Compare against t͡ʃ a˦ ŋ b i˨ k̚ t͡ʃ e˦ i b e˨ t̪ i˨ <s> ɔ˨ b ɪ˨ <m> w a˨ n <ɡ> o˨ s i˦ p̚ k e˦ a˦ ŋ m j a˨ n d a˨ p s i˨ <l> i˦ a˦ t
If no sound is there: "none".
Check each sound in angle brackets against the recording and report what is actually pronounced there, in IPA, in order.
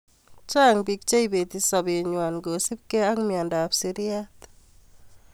s, ɲ, ɡ, ɾ

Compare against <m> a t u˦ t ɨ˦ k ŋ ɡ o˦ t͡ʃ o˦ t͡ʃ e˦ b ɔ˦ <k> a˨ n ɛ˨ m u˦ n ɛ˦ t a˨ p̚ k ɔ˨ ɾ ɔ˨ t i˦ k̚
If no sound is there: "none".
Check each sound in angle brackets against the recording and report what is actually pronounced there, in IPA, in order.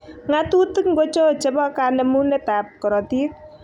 ŋ, k

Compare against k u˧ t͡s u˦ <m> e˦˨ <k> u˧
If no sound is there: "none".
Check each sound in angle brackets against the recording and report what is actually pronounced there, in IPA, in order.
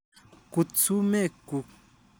m, k

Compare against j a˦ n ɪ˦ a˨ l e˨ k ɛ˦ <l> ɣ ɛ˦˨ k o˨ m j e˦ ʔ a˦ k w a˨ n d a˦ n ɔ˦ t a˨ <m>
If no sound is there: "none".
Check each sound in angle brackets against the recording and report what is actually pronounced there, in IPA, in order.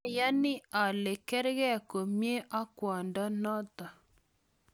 ɾ, none

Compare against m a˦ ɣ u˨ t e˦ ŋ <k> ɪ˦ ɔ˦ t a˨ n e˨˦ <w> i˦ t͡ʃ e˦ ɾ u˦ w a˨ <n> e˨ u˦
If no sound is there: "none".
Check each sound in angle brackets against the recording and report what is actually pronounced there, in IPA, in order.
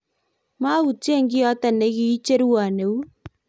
ɡ, ɣ, n

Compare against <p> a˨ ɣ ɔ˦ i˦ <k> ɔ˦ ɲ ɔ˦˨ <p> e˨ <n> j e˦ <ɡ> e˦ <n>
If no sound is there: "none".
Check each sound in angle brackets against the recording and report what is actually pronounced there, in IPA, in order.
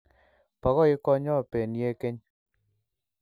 p, k, p, n, k, ɲ

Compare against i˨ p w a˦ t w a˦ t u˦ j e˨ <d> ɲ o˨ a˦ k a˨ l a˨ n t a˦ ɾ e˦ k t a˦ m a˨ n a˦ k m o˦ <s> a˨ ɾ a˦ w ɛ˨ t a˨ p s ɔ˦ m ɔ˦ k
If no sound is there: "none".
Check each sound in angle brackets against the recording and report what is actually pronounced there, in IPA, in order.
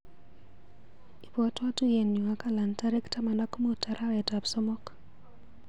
n, t

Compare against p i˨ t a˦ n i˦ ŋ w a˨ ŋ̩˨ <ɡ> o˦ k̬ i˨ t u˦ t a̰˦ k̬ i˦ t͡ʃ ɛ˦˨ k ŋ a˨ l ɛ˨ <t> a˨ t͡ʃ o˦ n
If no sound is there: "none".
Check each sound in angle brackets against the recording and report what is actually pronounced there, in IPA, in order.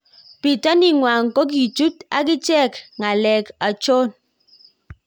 k, k

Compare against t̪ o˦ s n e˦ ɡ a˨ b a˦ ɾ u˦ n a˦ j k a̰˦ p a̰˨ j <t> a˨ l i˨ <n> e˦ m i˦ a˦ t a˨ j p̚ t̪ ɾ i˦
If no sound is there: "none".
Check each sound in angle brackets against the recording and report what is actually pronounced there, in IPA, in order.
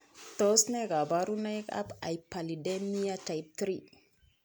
p, d

